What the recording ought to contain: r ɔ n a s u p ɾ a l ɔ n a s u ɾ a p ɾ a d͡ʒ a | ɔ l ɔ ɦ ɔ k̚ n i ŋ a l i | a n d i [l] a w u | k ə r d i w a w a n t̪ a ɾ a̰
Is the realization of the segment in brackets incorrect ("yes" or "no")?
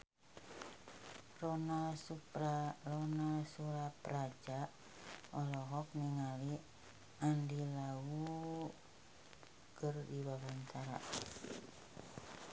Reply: no